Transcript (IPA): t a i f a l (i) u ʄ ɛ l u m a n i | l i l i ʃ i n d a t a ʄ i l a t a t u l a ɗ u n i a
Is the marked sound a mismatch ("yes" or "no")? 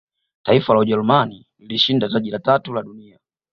yes